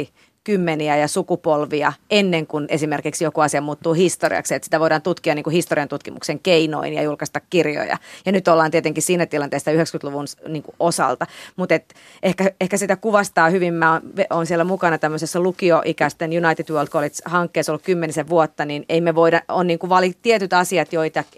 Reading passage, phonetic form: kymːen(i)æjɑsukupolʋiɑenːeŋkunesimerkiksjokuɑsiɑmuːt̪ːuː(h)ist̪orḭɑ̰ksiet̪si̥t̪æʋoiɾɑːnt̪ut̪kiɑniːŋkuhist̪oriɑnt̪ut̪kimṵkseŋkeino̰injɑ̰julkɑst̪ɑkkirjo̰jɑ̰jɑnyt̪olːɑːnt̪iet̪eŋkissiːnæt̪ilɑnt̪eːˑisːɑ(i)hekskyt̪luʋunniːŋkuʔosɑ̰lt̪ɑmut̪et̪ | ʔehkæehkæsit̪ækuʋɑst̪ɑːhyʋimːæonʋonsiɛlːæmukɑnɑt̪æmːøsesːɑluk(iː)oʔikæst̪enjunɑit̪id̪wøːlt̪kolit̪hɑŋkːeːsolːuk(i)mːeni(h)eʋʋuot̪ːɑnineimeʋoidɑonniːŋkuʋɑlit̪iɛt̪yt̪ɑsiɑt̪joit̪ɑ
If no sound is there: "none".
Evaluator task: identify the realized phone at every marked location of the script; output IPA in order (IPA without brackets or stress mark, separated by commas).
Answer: i, h, y, i, y, s